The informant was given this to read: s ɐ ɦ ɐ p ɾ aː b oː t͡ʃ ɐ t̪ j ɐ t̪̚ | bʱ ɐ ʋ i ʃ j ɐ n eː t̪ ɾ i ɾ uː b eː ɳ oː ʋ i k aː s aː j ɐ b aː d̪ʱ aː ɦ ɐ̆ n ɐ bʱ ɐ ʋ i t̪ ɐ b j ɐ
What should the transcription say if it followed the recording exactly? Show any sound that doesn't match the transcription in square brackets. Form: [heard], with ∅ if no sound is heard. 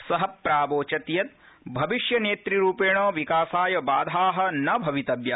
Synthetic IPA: s ɐ ɦ ɐ p ɾ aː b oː t͡ʃ ɐ t̪ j ɐ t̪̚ | bʱ ɐ ʋ i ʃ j ɐ n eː t̪ ɾ i ɾ uː [p] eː ɳ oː ʋ i k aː s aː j ɐ b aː d̪ʱ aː ɦ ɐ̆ n ɐ bʱ ɐ ʋ i t̪ ɐ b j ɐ